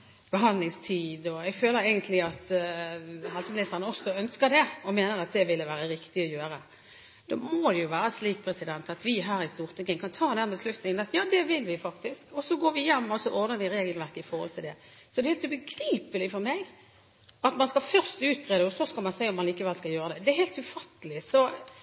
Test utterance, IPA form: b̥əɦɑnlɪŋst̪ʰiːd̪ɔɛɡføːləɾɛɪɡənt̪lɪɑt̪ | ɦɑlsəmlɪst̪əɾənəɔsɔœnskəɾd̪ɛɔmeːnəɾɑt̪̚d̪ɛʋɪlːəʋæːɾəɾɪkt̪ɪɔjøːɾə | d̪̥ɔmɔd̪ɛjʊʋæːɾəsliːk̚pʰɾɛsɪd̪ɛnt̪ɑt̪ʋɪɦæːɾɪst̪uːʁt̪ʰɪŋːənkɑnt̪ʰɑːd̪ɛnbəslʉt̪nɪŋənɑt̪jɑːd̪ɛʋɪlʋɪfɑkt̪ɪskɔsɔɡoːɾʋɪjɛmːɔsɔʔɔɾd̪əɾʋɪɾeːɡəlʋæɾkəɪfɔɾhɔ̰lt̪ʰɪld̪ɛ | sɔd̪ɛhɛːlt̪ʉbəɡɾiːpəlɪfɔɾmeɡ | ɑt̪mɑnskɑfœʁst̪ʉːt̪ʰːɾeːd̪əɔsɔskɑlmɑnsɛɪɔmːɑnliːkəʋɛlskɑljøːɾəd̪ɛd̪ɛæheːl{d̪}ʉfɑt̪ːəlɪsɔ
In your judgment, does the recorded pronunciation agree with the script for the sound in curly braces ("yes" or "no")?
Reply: no